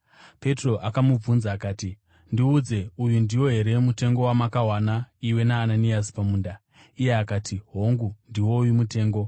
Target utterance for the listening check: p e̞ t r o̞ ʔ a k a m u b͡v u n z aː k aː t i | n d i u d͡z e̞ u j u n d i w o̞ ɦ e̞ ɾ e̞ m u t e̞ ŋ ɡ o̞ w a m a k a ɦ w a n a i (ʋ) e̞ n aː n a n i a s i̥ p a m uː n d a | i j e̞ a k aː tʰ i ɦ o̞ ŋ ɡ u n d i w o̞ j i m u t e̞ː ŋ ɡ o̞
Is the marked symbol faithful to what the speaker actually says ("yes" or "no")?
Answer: no